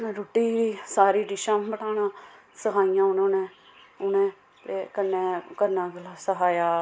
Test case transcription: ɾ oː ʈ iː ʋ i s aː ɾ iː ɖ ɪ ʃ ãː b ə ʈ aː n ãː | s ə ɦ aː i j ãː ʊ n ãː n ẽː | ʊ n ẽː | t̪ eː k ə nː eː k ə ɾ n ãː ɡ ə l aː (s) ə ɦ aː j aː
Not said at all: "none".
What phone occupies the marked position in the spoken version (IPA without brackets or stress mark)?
s